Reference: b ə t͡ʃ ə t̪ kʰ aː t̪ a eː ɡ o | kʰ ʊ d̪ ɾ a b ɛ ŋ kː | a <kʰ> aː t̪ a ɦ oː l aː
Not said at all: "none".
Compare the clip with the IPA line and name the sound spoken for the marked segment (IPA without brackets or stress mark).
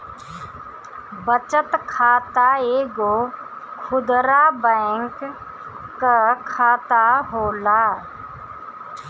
kʰ